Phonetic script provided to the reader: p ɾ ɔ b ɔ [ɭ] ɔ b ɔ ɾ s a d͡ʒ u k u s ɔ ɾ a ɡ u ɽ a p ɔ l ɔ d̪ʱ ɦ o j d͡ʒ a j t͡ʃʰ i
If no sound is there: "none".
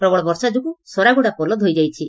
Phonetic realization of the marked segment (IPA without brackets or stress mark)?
ɭ